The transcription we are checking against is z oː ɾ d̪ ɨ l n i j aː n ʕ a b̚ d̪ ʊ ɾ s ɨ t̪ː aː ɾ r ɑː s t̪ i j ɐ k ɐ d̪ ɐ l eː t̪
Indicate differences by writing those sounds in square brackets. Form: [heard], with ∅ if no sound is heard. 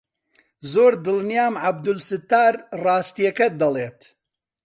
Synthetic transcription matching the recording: z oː ɾ d̪ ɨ l n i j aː [m] ʕ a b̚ d̪ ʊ [l] s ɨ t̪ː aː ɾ r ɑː s t̪ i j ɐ k ɐ d̪ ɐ l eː t̪

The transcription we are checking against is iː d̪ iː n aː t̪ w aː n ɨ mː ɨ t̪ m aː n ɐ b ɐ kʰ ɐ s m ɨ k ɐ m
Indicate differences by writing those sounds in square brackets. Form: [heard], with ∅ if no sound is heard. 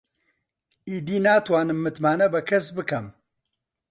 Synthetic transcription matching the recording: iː d̪ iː n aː t̪ w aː n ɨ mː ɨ t̪ m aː n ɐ b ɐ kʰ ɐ s [b] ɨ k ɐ m

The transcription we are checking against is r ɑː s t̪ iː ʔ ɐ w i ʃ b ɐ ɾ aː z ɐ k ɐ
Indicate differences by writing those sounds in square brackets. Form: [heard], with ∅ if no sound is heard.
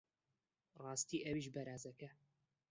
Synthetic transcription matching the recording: r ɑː s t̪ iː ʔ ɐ w i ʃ b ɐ ɾ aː z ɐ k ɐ

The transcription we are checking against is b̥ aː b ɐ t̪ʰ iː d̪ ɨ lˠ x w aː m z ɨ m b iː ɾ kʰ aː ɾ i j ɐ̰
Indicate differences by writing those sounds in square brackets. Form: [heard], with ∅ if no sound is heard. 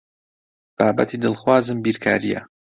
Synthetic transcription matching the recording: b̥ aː b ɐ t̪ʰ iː d̪ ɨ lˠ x w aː [∅] z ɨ m b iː ɾ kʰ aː ɾ i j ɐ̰

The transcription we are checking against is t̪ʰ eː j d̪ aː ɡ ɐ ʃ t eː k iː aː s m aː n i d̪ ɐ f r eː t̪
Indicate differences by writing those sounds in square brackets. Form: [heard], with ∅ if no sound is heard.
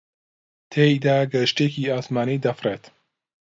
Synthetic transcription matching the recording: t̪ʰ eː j d̪ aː ɡ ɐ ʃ t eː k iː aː s m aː n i d̪ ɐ f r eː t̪

